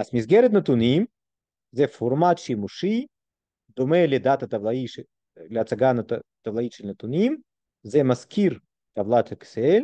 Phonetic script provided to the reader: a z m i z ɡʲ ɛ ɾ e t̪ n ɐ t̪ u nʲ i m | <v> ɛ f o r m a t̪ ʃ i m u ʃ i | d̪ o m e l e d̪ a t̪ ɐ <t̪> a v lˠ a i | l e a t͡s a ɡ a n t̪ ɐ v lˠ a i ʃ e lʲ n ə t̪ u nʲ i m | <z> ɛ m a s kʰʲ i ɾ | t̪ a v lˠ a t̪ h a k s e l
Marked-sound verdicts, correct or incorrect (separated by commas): incorrect, correct, correct